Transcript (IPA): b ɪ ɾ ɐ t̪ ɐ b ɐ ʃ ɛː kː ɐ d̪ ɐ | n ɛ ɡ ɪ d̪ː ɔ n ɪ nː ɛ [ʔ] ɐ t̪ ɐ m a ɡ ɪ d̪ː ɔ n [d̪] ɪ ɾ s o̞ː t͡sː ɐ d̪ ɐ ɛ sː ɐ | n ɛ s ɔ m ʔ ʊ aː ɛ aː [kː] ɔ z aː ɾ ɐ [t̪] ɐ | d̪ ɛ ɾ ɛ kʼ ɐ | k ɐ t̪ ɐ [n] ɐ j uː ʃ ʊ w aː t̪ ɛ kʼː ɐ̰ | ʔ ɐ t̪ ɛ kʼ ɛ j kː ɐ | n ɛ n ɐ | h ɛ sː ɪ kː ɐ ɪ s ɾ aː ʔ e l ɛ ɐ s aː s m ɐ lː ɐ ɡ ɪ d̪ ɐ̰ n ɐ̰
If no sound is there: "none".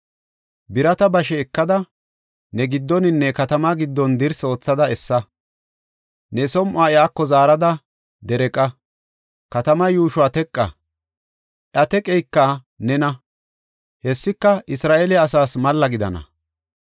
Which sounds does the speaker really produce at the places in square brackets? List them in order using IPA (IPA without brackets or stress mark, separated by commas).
k, d̪, kː, d̪, m